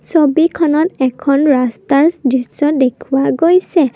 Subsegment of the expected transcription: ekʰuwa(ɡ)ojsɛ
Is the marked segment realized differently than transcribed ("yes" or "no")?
no